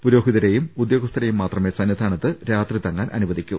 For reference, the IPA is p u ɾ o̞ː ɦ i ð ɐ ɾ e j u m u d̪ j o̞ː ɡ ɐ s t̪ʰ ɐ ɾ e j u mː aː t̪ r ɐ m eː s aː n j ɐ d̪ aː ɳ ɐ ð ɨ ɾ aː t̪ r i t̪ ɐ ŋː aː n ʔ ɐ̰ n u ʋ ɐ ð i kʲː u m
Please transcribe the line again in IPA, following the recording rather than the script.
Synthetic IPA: p u ɾ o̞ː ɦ i ð ɐ ɾ e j u m u d̪ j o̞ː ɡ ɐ s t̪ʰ ɐ ɾ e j u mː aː t̪ r ɐ m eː s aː n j ɐ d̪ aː ɳ ɐ ð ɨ ɾ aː t̪ r i t̪ ɐ ŋː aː n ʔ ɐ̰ n u ʋ ɐ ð i kʲː u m